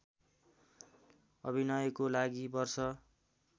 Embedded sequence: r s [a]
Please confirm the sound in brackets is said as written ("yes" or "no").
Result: no